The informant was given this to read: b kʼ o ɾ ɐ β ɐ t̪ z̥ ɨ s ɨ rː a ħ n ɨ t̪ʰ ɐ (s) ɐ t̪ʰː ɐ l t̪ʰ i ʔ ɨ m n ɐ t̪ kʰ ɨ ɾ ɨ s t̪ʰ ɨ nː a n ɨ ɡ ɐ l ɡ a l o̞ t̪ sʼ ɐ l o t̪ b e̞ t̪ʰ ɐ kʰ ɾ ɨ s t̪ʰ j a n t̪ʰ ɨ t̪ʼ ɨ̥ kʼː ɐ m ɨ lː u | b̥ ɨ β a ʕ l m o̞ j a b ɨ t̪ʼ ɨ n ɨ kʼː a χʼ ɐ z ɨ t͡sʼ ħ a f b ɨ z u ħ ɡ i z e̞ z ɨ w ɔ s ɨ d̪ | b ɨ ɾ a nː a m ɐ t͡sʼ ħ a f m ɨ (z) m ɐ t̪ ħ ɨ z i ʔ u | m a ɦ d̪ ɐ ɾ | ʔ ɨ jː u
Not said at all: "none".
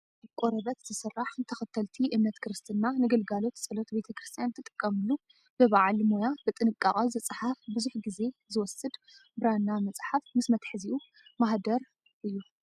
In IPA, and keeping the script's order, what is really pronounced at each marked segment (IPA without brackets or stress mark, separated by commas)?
x, s